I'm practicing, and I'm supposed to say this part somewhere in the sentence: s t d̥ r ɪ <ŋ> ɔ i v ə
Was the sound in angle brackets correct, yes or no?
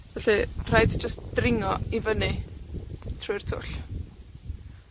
yes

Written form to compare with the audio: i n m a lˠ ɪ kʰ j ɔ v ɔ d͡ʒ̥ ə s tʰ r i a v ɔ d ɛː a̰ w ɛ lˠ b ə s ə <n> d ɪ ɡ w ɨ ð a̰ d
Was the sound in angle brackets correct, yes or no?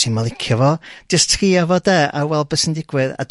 yes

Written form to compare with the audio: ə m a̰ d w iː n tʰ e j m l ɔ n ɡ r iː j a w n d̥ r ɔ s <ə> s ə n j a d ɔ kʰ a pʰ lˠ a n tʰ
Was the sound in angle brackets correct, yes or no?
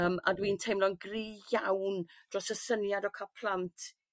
yes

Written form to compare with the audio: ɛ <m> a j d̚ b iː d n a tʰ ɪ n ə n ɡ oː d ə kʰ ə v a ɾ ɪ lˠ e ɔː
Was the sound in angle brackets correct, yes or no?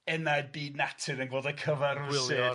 no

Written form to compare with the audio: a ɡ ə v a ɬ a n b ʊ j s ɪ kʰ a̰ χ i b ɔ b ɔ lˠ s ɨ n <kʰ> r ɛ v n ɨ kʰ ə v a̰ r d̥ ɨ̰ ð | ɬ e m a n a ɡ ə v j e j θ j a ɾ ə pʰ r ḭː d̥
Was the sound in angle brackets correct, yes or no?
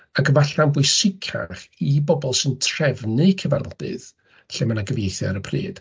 no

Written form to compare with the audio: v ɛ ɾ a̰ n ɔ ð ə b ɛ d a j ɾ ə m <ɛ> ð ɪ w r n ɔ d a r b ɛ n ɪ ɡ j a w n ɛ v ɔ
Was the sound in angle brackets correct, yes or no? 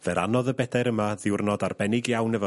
no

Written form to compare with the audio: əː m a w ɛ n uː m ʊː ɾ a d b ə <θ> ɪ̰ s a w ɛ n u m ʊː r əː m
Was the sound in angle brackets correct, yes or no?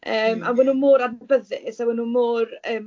no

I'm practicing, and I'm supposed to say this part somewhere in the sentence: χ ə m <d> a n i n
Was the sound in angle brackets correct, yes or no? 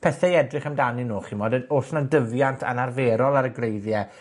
yes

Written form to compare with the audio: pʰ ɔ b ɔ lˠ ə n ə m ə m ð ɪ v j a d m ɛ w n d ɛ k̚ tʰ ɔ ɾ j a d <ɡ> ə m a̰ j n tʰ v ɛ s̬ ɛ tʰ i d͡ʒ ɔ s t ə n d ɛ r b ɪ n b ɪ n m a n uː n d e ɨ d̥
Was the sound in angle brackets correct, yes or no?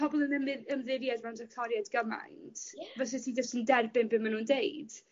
yes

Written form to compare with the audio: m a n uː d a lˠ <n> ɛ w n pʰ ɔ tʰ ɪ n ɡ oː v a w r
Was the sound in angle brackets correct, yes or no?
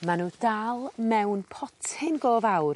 no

